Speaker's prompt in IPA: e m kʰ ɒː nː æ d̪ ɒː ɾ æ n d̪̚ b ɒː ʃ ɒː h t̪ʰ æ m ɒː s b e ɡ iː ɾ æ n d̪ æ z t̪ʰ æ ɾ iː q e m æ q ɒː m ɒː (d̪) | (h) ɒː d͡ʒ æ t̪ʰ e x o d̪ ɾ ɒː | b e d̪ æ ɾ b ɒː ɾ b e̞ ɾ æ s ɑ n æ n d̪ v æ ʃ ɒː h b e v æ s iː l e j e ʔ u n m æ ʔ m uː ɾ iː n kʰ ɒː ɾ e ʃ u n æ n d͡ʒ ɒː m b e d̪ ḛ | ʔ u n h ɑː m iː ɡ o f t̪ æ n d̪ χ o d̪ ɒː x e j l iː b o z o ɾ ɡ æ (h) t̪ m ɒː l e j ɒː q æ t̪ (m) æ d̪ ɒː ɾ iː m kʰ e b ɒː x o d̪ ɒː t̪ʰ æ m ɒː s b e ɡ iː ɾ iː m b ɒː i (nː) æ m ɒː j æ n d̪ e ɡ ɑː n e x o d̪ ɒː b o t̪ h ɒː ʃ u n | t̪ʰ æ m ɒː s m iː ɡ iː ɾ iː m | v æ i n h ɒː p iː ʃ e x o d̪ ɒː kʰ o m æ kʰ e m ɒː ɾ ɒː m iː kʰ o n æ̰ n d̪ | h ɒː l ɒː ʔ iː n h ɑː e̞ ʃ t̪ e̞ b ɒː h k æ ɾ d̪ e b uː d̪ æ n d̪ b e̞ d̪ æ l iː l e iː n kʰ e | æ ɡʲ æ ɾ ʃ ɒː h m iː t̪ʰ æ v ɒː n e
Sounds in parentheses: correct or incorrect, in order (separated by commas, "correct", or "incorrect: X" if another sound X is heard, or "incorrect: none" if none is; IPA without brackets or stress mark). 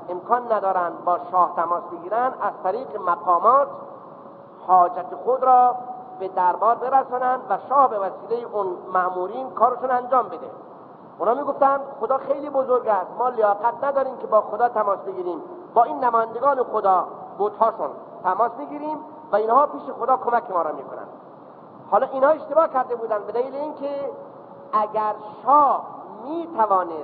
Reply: incorrect: t̪, correct, incorrect: s, incorrect: n, correct